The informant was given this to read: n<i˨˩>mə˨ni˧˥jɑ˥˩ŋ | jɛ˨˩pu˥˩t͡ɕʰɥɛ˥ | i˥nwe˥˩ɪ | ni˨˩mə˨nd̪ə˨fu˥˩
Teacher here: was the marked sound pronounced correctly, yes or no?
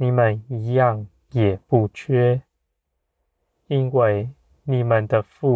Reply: yes